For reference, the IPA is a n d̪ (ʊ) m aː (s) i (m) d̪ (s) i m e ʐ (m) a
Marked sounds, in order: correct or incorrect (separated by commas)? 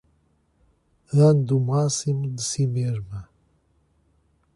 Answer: incorrect, correct, correct, correct, correct